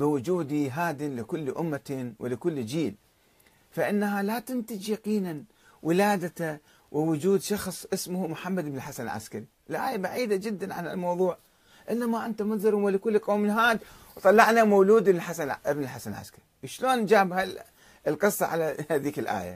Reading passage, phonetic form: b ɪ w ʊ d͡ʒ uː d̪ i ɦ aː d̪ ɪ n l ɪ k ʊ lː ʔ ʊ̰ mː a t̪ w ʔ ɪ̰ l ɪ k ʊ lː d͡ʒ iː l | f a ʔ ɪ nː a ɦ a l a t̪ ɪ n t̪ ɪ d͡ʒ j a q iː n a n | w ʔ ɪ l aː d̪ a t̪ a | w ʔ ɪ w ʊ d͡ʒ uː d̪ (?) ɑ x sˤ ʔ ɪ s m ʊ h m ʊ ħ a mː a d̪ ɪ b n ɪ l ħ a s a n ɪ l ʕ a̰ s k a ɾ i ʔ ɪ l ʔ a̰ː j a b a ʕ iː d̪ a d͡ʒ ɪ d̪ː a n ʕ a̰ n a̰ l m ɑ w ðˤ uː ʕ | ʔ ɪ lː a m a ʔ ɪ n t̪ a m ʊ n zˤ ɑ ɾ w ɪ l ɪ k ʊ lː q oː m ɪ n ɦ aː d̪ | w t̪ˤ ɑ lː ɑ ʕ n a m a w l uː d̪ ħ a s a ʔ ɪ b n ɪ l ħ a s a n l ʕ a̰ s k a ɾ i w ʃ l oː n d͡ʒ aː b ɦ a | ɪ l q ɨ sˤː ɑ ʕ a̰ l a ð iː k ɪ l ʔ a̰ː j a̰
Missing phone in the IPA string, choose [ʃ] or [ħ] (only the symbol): ʃ